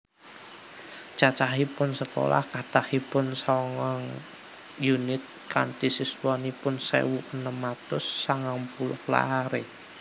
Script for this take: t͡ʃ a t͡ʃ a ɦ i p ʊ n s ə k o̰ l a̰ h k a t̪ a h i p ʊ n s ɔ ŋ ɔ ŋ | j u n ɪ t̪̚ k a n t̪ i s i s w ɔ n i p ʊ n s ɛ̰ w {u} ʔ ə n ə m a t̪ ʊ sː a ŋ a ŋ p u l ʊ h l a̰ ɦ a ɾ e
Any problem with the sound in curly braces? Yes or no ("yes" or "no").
no